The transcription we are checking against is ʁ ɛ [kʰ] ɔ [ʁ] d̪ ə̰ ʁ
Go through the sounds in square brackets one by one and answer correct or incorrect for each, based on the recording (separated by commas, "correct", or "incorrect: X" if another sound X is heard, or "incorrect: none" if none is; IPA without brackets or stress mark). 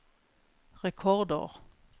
correct, correct